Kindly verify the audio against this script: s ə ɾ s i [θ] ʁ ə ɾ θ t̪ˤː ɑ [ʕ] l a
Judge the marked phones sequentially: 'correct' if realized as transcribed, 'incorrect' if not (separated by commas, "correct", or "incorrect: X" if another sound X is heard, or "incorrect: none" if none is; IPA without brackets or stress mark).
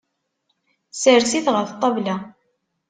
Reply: correct, incorrect: v